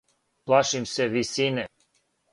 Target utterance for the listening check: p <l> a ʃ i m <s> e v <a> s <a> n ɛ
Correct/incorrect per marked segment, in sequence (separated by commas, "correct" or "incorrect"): correct, correct, incorrect, incorrect